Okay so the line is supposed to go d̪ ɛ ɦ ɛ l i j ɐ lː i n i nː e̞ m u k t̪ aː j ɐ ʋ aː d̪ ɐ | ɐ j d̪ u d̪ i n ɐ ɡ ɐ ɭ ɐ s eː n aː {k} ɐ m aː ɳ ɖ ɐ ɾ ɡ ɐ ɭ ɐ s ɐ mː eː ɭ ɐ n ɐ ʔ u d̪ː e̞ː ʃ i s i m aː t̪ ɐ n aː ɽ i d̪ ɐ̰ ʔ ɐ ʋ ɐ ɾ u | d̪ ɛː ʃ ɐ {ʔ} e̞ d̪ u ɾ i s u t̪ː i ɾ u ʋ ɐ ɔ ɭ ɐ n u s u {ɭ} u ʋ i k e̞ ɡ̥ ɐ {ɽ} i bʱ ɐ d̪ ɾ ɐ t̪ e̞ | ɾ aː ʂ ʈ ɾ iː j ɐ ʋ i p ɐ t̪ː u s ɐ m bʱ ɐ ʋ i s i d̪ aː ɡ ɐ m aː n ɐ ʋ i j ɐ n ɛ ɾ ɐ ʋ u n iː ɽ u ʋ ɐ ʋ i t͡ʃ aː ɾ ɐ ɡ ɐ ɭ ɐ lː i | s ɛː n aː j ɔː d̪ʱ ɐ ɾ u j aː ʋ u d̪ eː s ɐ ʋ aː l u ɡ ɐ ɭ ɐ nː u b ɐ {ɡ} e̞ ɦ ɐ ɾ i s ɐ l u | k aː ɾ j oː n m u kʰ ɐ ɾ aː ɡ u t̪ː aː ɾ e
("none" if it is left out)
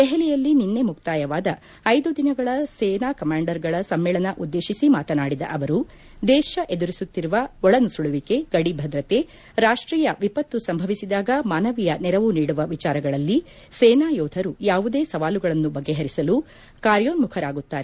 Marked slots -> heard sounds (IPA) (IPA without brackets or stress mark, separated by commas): k, ʔ, ɭ, ɽ, ɡː